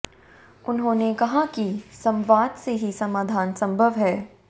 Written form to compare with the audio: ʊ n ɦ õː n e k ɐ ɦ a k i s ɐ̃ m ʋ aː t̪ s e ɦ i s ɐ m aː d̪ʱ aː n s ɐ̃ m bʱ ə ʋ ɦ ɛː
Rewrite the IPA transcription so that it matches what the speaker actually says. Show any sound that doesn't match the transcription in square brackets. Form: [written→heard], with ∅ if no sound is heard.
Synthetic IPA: ʊ n ɦ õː n e k ɐ ɦ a k i s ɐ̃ m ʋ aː [t̪→d̪] s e ɦ i s ɐ m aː d̪ʱ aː n s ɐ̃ m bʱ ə ʋ ɦ ɛː

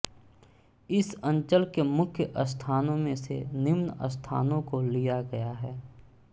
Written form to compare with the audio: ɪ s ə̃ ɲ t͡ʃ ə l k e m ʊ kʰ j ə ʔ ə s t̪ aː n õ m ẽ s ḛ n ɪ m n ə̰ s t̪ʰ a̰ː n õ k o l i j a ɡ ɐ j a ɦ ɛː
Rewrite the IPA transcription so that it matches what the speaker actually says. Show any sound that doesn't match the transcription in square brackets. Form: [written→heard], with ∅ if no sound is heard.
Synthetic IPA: ɪ s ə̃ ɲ t͡ʃ ə l k e m ʊ kʰ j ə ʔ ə s [t̪→t̪ʰ] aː n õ m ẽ s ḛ n ɪ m n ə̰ s t̪ʰ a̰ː n õ k o l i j a ɡ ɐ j a ɦ ɛː

